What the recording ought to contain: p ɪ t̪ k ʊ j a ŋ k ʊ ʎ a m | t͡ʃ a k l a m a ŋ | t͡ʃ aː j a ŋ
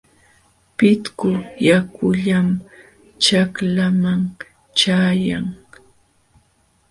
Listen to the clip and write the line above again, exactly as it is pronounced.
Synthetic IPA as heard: p ɪ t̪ k ʊ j a k ʊ ʎ a m | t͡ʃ a k l a m a ŋ | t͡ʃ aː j a ŋ